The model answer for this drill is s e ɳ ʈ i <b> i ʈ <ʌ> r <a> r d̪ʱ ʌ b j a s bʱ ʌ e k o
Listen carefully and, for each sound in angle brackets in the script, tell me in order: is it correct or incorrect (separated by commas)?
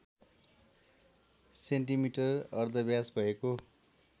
incorrect, correct, incorrect